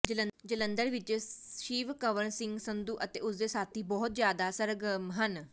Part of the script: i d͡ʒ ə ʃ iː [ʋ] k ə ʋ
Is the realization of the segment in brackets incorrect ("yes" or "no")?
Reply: no